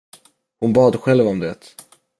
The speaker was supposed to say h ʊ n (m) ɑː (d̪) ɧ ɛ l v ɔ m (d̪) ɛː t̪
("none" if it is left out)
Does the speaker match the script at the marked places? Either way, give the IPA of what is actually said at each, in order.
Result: b, d̪, d̪

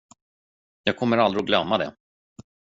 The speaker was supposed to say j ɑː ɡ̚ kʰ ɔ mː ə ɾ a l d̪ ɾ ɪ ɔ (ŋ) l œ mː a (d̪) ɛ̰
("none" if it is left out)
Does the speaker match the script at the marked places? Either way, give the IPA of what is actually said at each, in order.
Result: ɡ, d̪

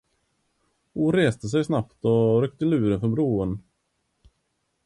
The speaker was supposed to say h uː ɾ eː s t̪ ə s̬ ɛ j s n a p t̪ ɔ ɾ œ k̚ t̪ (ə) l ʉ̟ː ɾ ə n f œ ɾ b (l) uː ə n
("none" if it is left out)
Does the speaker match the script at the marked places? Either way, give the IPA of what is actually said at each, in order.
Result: ə, ɾ

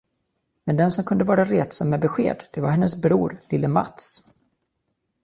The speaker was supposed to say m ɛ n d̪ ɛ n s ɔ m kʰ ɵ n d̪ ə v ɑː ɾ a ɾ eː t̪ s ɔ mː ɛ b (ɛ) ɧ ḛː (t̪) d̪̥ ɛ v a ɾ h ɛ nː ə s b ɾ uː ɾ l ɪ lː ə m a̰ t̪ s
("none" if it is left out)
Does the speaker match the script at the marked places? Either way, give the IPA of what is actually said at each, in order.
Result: ɛ, d̪

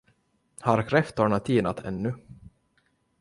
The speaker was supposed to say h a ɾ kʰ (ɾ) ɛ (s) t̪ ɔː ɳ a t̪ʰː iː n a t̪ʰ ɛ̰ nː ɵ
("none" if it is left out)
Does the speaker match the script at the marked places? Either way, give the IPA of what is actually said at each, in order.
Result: ɾ, f

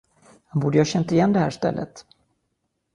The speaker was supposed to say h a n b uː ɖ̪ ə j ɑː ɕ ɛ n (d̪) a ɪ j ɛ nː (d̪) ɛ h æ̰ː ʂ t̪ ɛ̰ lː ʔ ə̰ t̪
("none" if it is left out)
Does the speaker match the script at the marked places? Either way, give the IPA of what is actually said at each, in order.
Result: t̪, d̪

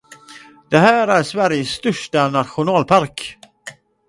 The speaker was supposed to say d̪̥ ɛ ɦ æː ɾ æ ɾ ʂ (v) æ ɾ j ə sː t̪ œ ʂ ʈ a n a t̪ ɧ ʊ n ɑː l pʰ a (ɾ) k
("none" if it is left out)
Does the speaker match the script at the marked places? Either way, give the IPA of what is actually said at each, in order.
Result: v, ɾ

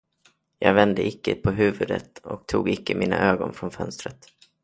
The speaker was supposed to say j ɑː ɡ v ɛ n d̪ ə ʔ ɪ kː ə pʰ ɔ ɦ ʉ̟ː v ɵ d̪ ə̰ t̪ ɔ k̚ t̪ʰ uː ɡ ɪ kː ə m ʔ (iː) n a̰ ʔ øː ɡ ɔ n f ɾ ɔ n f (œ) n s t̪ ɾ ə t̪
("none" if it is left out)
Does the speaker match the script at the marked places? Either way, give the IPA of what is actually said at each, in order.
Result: iː, œ

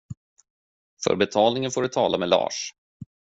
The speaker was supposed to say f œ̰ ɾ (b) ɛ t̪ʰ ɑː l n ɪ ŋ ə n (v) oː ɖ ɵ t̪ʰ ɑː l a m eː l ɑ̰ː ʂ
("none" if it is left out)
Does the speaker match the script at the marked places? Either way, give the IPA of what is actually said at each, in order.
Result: b, f

